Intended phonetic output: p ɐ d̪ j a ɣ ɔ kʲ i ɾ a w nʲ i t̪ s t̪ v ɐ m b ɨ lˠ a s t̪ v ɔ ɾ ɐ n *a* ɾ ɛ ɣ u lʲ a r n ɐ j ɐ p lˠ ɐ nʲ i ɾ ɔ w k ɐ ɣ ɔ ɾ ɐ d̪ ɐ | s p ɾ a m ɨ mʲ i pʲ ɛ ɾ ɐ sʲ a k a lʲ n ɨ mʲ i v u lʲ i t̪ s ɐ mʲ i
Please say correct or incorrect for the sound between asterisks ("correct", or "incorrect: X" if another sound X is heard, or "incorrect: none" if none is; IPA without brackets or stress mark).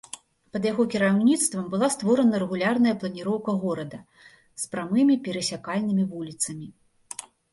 incorrect: ɐ